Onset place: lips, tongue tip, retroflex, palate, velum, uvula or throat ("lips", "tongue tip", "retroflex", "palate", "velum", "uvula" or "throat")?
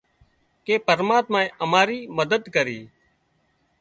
velum